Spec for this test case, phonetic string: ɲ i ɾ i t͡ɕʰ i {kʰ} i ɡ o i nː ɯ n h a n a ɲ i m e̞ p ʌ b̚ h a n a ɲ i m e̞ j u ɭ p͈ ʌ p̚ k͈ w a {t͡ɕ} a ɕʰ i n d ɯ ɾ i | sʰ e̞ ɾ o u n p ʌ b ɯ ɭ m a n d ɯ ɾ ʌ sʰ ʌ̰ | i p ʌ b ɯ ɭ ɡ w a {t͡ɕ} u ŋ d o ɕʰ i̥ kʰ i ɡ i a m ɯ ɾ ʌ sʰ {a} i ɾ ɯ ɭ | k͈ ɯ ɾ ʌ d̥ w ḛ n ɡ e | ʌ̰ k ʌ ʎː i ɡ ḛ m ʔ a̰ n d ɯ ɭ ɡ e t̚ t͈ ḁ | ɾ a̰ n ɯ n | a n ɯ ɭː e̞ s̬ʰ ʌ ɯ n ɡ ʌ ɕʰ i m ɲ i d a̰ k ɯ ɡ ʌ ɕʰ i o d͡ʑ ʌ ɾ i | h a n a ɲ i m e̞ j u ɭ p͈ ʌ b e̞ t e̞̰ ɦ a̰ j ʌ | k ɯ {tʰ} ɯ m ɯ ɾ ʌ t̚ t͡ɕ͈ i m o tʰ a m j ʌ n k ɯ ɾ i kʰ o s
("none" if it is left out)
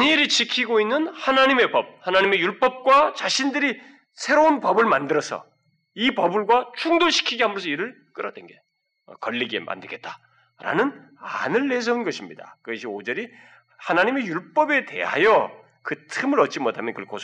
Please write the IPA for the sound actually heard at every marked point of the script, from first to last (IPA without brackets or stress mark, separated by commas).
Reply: kʰ, t͡ɕ, t͡ɕʰ, ʌ, tʰ